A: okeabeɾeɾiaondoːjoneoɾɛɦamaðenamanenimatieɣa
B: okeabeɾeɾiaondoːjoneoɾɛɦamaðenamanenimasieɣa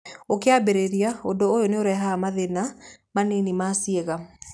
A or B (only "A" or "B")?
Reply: B